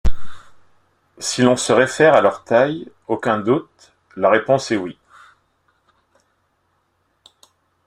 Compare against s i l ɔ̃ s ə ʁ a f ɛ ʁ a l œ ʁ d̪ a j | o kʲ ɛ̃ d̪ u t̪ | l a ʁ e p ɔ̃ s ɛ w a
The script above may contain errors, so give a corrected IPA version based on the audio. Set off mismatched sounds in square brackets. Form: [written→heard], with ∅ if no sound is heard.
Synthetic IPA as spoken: s i l ɔ̃ s ə ʁ [a→e] f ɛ ʁ a l œ ʁ [d̪→t̪] a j | o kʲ ɛ̃ d̪ u t̪ | l a ʁ e p ɔ̃ s ɛ w [a→i]